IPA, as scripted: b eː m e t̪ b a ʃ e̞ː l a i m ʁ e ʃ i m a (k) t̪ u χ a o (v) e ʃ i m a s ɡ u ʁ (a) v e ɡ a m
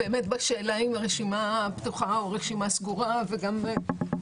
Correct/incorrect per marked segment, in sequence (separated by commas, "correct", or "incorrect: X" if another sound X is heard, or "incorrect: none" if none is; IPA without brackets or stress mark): incorrect: p, incorrect: ʁ, correct